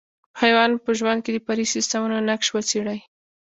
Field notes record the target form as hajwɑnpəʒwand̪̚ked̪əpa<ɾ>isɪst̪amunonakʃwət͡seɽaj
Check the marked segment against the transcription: correct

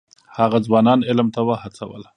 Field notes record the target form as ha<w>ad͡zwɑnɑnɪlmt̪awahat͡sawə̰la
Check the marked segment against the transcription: incorrect: ɣ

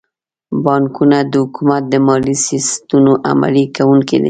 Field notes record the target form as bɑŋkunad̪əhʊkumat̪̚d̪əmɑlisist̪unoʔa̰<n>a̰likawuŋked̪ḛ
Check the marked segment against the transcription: incorrect: m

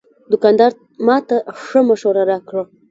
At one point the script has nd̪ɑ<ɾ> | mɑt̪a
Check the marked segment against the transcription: correct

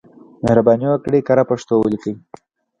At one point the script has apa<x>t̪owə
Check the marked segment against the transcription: incorrect: ʂ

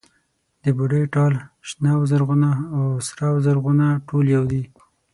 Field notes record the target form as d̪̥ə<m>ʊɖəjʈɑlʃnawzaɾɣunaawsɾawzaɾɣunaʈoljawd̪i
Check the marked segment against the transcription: incorrect: b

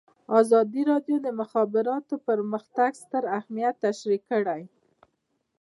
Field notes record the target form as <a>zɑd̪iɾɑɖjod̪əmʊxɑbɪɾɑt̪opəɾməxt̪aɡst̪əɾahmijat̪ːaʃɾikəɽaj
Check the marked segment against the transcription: incorrect: ɑ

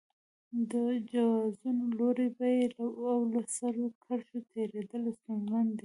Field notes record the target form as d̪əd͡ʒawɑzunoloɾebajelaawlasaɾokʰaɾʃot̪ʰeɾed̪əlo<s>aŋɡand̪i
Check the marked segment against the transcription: correct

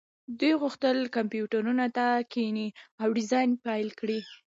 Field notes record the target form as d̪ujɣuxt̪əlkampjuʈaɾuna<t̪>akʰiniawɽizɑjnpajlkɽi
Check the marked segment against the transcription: correct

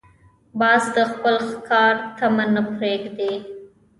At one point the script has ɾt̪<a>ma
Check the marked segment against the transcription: correct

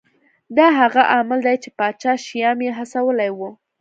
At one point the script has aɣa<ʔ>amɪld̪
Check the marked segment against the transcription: correct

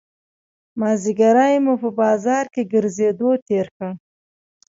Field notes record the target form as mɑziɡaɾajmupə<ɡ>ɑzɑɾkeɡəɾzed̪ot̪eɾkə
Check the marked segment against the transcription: incorrect: b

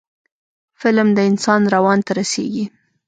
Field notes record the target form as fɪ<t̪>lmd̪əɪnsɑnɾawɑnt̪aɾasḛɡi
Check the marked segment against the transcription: incorrect: none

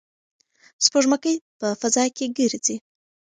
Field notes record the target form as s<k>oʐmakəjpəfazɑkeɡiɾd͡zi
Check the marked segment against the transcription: incorrect: p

